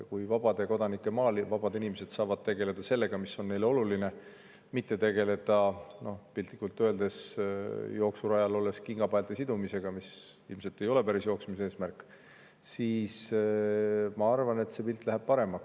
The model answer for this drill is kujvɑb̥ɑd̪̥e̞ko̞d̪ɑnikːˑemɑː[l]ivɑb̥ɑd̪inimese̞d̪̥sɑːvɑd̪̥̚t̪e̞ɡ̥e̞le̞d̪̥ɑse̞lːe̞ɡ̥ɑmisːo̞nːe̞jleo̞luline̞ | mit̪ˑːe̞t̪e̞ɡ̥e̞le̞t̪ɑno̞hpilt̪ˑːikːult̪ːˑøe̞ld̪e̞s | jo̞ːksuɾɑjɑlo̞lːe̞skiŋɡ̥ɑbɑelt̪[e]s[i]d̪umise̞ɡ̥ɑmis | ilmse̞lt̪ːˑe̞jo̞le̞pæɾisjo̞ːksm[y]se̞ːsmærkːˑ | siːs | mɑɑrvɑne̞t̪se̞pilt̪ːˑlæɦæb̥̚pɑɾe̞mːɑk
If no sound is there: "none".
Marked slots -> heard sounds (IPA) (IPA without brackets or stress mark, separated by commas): l, e, i, i